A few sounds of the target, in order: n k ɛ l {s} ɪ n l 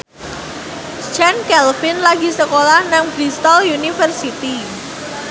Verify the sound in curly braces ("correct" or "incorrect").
incorrect